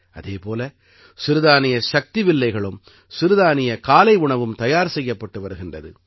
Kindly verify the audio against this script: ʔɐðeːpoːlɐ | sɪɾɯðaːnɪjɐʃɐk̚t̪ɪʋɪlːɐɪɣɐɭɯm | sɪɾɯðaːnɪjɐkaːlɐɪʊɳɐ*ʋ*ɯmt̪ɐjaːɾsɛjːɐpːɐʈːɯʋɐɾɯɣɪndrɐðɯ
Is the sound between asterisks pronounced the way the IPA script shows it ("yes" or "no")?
yes